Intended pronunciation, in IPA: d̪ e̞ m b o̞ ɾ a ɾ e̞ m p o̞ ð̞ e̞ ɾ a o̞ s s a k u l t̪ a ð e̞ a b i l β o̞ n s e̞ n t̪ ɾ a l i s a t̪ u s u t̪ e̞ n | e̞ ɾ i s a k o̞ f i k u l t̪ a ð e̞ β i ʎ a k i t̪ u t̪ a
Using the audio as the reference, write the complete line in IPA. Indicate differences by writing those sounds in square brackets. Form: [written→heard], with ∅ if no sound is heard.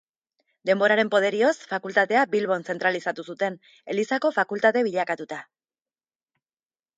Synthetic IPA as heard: d̪ e̞ m b o̞ ɾ a ɾ e̞ m p o̞ ð̞ e̞ ɾ [a→i] o̞ s [s→f] a k u l t̪ a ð e̞ a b i l β o̞ n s e̞ n t̪ ɾ a l i s a t̪ u s u t̪ e̞ n | e̞ [ɾ→l] i s a k o̞ f [i→a] k u l t̪ a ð e̞ β i ʎ a k [i→a] t̪ u t̪ a